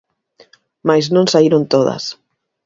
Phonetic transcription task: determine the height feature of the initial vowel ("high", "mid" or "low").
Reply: low